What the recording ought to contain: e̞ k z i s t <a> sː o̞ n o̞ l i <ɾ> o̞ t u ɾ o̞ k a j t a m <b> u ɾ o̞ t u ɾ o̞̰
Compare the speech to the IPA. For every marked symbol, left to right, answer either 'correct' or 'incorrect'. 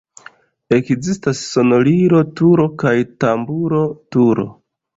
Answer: correct, correct, correct

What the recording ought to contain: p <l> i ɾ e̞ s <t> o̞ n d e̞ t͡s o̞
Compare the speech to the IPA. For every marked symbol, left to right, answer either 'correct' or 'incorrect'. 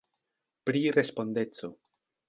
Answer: incorrect, incorrect

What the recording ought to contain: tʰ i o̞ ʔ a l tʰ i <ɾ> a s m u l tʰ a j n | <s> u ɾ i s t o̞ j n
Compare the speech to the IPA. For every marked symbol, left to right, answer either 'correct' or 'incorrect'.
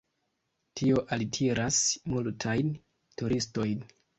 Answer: correct, incorrect

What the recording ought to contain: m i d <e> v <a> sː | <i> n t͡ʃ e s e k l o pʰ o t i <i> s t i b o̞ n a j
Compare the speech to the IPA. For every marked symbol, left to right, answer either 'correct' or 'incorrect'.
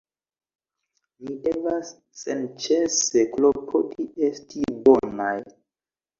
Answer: correct, correct, incorrect, incorrect

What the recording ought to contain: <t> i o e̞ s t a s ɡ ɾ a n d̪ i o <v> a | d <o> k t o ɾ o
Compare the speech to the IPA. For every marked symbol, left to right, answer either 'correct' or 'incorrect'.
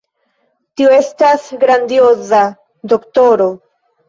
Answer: correct, incorrect, correct

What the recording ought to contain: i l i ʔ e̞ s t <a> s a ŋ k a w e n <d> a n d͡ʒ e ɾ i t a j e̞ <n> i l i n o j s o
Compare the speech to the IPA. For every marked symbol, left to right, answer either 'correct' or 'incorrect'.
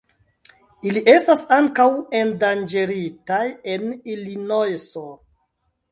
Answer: correct, correct, correct

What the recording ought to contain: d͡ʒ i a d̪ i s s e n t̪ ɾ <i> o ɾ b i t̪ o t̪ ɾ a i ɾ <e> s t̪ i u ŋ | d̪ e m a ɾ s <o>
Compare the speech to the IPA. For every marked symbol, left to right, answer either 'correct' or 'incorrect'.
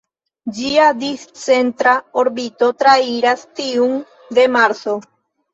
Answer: incorrect, incorrect, correct

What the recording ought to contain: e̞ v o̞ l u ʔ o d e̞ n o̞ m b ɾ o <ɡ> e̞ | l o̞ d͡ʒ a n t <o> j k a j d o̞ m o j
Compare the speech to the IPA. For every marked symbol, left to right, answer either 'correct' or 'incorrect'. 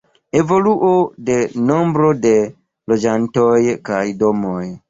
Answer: incorrect, correct

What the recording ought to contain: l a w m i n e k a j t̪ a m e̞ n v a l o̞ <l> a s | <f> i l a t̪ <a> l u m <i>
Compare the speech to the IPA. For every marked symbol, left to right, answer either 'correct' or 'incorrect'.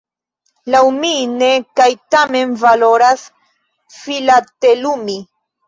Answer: incorrect, correct, incorrect, correct

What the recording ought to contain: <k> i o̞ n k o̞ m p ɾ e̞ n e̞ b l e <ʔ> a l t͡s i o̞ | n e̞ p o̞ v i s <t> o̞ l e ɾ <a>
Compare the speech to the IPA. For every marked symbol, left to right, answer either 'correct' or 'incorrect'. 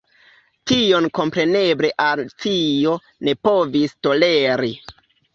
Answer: incorrect, correct, correct, incorrect

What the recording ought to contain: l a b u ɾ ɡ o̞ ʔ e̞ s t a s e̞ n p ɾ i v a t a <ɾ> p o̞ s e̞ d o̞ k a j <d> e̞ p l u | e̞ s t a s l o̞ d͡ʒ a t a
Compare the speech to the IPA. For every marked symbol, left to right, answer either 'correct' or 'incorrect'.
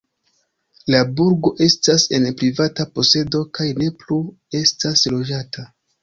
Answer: incorrect, incorrect

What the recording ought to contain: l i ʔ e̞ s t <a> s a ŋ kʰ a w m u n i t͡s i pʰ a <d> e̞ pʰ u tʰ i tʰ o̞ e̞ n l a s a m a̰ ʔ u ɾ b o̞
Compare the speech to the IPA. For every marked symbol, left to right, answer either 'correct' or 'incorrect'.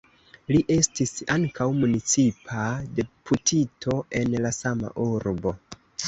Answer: incorrect, correct

